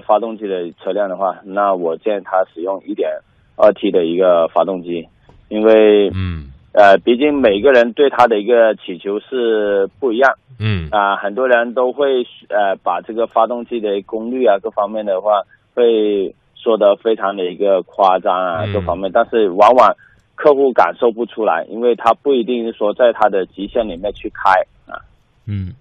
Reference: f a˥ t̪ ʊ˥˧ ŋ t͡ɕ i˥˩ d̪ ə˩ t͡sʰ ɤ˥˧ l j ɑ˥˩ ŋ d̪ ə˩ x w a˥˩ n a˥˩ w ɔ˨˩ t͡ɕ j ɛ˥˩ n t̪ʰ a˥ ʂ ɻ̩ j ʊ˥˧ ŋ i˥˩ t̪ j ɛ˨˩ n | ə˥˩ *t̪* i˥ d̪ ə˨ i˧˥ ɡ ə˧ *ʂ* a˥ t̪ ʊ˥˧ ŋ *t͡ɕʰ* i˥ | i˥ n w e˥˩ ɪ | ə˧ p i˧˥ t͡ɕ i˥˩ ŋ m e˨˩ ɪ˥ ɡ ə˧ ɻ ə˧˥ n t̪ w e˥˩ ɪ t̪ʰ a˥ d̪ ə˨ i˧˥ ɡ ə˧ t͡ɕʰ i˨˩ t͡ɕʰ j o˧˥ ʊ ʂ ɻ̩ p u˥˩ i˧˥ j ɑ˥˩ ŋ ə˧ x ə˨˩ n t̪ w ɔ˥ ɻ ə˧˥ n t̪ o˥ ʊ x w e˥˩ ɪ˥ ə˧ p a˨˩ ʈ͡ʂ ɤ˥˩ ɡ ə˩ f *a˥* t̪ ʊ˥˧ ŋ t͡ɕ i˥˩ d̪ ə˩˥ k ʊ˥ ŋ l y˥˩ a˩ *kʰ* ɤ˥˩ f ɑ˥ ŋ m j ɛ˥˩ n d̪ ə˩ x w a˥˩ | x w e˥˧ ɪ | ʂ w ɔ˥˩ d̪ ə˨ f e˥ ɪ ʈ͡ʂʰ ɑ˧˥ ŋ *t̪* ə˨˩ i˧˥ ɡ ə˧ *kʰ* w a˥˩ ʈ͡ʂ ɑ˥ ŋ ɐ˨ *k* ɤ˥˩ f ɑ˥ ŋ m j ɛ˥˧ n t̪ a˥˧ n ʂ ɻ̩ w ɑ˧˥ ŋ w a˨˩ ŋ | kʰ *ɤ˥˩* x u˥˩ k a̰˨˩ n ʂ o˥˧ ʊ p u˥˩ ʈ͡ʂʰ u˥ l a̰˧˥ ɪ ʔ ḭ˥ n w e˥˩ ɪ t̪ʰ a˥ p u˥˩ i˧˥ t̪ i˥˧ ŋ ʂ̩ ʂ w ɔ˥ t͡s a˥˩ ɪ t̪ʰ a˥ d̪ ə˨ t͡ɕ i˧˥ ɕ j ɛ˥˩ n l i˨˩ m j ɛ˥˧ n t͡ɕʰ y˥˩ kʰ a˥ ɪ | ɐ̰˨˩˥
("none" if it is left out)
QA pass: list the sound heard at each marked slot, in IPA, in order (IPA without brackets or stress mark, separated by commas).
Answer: t̪ʰ, f, t͡ɕ, a˥, k, d̪, kʰ, k, ɤ˥˧